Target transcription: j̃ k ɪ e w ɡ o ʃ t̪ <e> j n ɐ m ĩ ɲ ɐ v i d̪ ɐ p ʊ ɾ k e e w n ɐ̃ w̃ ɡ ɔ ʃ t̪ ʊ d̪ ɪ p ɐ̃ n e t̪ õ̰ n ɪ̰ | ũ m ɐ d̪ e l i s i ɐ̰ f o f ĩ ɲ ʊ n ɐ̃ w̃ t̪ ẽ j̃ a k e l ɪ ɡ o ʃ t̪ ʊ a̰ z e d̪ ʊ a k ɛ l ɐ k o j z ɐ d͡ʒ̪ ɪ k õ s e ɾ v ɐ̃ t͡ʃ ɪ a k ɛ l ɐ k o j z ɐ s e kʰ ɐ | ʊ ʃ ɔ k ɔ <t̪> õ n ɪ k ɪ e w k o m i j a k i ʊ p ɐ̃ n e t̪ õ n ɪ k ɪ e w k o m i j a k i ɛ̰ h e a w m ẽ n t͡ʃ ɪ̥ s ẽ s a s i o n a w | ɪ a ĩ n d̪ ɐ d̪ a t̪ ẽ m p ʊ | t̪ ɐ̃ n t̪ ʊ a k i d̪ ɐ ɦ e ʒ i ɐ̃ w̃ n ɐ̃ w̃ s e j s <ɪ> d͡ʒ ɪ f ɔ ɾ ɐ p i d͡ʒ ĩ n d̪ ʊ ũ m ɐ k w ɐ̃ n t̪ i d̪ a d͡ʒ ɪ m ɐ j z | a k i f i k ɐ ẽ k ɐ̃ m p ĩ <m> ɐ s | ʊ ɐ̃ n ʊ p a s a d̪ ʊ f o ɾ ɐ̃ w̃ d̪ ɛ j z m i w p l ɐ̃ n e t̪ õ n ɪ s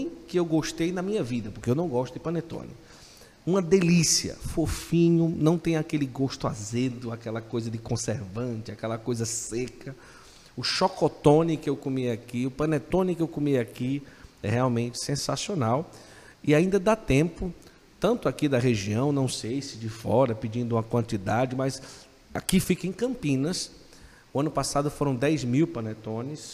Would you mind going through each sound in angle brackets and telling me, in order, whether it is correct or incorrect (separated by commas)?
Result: correct, correct, correct, incorrect